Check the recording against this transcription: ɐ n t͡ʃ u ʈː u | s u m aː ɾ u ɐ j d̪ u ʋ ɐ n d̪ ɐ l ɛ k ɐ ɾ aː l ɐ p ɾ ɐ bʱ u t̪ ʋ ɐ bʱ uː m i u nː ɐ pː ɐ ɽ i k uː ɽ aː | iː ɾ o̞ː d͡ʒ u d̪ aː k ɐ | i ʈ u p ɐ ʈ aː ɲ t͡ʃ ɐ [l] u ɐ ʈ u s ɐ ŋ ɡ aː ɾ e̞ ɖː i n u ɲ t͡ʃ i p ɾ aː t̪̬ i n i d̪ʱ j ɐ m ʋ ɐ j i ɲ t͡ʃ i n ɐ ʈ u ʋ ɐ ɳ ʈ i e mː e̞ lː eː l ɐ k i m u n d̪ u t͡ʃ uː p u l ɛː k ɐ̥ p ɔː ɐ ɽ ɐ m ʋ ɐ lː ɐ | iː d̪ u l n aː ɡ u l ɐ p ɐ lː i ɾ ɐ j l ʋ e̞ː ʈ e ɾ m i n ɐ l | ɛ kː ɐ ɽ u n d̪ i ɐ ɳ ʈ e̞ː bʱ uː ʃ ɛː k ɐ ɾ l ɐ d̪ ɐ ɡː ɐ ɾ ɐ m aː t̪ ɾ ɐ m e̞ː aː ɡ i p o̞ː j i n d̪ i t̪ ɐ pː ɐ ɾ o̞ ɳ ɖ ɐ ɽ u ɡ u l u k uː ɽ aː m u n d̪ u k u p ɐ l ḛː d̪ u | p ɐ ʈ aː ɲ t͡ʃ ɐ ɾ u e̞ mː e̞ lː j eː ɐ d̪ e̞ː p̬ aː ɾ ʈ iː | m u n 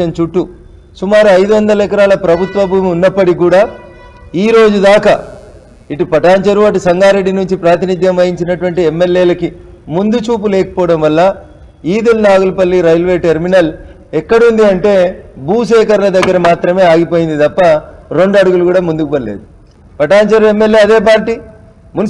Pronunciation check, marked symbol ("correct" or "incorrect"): incorrect